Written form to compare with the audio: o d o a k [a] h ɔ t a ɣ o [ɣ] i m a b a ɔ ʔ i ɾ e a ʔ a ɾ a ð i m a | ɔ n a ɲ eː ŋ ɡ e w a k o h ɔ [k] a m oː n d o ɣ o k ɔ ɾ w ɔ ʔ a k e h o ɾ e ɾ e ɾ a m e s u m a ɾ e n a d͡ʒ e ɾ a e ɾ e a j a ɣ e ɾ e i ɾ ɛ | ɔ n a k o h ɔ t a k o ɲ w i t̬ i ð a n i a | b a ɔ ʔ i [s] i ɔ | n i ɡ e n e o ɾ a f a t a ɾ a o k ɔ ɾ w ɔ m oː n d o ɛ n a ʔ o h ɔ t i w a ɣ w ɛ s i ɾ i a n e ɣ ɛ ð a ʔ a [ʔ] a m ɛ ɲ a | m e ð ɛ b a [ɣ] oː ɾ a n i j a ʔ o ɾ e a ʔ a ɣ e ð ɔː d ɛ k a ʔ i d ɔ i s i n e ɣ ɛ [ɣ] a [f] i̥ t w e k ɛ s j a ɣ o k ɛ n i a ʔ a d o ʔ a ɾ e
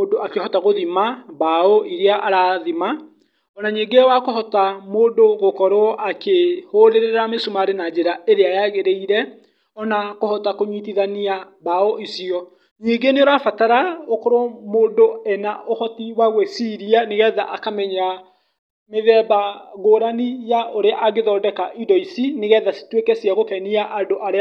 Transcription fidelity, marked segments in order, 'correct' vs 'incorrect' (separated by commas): incorrect, incorrect, incorrect, correct, incorrect, correct, incorrect, incorrect